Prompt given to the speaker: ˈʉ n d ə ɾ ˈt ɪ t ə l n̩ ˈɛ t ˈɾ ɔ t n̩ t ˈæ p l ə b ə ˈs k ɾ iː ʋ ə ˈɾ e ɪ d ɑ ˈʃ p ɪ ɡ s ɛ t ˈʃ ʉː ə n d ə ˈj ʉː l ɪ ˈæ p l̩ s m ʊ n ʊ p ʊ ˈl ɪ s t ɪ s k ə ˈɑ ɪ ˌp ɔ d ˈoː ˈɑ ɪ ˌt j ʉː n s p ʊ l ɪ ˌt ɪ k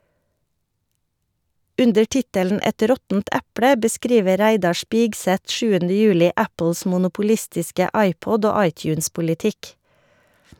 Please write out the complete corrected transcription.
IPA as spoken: ˈʉ n d ə ɾ ˈt ɪ t ə l n̩ ˈɛ t ˈɾ ɔ t n̩ t ˈæ p l ə b ə ˈs k ɾ iː ʋ ə ˈɾ æ ɪ d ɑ ˈʃ p ɪ ɡ s ɛ t ˈʃ ʉː ə n d ə ˈj ʉː l ɪ ˈæ p l̩ s m ʊ n ʊ p ʊ ˈl ɪ s t ɪ s k ə ˈɑ ɪ ˌp ɔ d ˈoː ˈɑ ɪ ˌt j ʉː n s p ʊ l ɪ ˌt ɪ k